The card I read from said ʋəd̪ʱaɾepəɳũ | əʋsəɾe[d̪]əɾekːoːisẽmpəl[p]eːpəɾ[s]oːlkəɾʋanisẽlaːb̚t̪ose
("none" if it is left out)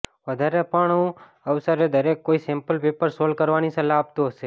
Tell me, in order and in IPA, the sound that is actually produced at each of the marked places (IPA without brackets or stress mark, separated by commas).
d̪, p, s